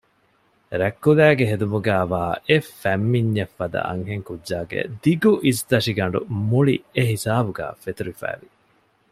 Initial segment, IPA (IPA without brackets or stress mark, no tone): ɾ